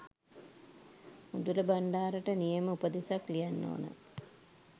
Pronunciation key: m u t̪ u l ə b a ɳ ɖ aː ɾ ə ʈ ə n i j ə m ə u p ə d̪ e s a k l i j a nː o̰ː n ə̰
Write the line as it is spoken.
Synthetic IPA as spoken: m u d̪ u l ə b a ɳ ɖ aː ɾ ə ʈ ə n i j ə m ə u p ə d̪ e s a k l i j a nː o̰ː n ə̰